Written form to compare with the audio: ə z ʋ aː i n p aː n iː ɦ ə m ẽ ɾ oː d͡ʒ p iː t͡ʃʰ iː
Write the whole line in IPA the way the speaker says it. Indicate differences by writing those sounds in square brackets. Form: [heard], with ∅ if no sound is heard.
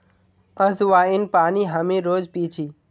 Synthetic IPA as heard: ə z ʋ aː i n p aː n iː ɦ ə m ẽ ɾ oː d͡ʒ p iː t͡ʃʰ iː